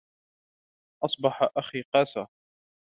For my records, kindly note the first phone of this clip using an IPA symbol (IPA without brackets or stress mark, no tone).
ʔ